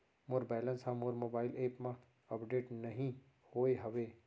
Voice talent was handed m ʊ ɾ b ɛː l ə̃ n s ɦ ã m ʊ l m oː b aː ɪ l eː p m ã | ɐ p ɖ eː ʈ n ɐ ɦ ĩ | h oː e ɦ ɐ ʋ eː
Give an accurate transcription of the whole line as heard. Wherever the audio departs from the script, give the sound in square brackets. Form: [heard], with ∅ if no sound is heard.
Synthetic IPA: m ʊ ɾ b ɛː l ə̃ n s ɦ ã m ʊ [ɾ] m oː b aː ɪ l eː p m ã | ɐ p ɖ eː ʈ n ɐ ɦ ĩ | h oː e ɦ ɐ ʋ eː